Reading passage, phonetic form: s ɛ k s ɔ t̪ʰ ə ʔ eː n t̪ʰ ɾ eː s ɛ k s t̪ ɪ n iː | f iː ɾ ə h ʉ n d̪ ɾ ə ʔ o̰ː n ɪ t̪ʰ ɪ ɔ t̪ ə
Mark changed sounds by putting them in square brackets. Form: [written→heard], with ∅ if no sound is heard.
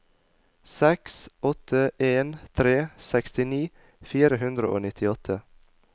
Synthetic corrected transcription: s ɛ k s ɔ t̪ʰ ə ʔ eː n t̪ʰ ɾ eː s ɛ k s t̪ ɪ n iː | f iː ɾ ə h ʉ n d̪ ɾ ə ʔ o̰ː n ɪ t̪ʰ ɪ ɔ [t̪→t̪ʰ] ə